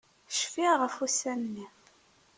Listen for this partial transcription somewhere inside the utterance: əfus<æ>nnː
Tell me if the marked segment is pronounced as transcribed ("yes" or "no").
yes